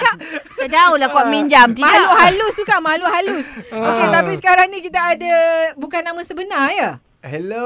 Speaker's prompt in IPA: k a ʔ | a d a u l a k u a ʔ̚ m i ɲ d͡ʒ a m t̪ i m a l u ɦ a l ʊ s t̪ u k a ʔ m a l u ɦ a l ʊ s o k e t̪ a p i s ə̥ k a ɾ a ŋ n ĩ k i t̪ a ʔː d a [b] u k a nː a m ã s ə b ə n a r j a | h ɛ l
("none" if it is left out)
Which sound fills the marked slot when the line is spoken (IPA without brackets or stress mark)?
b